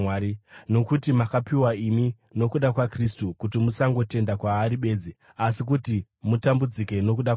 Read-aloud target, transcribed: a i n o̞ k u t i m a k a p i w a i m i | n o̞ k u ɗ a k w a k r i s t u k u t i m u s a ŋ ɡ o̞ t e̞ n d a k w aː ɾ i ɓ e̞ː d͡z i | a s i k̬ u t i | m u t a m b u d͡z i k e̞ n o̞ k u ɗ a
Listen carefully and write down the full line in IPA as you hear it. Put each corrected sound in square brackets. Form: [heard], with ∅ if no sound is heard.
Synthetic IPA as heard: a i n o̞ k u t i m a k a p i w a i m i | n o̞ k u ɗ a k w a k r i s t u k u t i m u s a ŋ ɡ o̞ t e̞ n d a k w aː ɾ i ɓ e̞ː d͡z i | a s i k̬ u t i | m u t a m b u d͡z i k e̞ n o̞ k u ɗ a